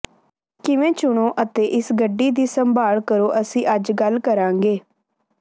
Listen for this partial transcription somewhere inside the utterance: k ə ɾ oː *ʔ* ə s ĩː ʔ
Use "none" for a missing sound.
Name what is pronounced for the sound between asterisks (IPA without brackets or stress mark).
ʔ